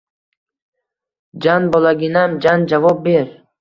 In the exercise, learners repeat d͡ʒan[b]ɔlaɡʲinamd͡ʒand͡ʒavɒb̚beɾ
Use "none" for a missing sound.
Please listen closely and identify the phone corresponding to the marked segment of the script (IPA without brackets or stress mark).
b